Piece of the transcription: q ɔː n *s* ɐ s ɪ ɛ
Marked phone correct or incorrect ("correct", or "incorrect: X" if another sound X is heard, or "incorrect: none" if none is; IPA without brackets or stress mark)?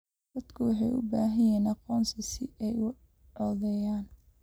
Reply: correct